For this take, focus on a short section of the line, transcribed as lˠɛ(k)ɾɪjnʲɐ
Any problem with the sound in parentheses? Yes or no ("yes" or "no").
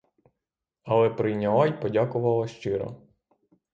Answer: yes